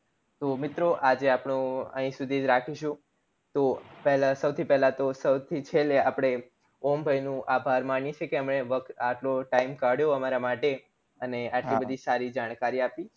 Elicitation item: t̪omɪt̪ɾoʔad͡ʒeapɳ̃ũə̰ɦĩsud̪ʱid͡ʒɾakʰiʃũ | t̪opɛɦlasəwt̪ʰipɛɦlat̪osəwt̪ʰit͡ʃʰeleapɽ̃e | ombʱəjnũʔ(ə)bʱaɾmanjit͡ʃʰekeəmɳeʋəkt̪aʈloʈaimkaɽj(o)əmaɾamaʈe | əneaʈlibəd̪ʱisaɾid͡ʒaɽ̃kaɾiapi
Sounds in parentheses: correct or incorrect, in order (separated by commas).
incorrect, correct